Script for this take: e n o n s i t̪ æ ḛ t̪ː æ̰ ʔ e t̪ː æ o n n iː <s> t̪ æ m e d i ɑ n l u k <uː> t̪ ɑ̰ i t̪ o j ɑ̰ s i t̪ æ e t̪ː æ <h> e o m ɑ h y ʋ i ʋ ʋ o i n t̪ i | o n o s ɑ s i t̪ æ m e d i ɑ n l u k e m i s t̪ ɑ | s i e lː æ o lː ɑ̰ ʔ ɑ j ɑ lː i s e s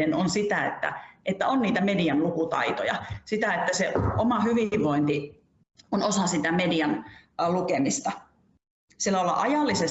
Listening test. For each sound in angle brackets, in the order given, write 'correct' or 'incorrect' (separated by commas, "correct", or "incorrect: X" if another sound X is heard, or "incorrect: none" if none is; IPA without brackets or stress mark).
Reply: incorrect: none, incorrect: u, incorrect: s